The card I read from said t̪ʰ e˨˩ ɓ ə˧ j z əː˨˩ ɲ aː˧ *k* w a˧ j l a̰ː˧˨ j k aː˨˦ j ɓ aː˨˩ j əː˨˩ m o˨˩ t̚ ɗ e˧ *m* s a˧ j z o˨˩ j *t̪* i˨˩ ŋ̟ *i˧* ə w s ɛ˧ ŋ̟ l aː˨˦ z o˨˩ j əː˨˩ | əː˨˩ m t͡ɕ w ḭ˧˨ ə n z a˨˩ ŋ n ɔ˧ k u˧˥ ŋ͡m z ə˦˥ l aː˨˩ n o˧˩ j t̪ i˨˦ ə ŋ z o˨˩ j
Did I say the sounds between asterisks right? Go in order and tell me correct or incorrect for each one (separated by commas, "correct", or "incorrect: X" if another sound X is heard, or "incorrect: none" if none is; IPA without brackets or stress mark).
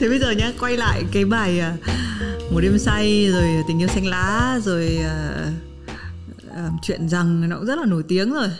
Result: correct, correct, correct, correct